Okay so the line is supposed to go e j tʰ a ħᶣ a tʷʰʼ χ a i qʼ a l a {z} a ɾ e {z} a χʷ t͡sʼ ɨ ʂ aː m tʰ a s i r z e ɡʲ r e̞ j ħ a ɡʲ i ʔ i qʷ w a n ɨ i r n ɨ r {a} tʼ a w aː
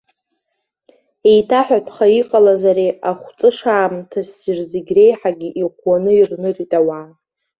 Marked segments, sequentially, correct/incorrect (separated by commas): correct, incorrect, incorrect